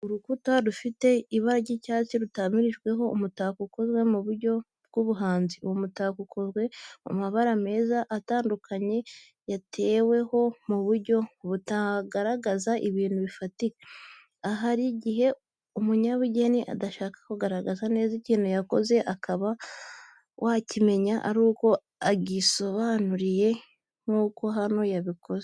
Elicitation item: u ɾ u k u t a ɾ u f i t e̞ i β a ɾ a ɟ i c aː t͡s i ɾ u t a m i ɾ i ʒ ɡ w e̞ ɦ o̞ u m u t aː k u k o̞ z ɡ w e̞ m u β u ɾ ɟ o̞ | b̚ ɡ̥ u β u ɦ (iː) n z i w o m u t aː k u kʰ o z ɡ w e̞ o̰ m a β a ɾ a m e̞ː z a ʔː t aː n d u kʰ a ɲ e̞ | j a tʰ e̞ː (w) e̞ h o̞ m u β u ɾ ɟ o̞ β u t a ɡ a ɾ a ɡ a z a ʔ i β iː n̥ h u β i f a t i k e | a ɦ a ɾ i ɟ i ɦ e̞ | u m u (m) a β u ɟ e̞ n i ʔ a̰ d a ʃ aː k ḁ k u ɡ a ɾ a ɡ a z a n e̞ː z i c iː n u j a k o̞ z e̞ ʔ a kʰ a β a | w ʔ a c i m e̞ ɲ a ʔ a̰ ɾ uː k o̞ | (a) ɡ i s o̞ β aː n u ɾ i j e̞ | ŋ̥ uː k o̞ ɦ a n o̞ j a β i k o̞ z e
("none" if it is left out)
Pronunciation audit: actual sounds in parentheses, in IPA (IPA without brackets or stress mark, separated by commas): aː, w, ɲ, a